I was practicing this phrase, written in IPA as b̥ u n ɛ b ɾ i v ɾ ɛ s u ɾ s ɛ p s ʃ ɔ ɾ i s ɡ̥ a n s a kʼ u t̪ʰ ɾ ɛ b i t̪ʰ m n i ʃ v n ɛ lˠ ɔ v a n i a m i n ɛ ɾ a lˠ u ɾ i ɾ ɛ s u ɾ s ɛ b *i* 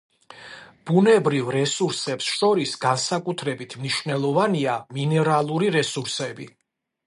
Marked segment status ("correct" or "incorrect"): correct